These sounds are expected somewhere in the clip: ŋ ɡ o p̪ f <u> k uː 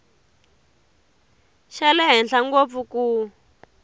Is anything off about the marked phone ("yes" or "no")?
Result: no